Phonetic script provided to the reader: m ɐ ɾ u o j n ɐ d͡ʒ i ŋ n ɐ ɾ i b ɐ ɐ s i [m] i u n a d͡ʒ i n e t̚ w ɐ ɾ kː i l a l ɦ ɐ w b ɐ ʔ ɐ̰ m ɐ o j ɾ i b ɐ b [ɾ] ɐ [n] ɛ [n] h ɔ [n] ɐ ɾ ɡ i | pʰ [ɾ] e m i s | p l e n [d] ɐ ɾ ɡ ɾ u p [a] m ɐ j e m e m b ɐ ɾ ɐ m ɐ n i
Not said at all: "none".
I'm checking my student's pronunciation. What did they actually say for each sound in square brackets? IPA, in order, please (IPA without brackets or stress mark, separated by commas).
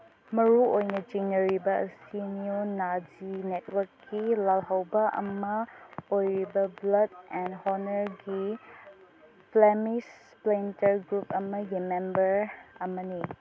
n, l, d, n, n, l, t, ɐ